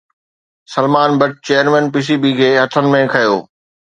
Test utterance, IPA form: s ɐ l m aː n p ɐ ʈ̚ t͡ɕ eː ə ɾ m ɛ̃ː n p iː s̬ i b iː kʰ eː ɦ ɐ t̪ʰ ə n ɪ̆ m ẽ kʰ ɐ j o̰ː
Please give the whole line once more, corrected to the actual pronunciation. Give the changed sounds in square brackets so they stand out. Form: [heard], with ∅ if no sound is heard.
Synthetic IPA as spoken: s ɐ l m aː n [b] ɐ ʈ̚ t͡ɕ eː ə ɾ m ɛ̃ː n p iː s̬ i b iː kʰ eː ɦ ɐ t̪ʰ ə n ɪ̆ m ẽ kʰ ɐ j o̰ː